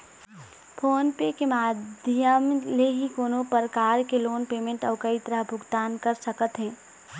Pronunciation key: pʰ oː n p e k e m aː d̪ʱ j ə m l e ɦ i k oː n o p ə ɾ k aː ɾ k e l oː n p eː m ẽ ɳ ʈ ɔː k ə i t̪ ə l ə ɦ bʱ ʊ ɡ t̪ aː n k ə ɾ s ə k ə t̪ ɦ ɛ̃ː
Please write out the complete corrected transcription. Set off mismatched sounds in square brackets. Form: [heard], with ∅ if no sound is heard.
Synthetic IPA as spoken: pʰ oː n p e k e m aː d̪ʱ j ə m l e ɦ i k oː n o p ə ɾ k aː ɾ k e l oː n p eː m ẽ ɳ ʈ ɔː k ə i t̪ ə [ɾ] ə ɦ bʱ ʊ ɡ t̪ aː n k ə ɾ s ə k ə t̪ ɦ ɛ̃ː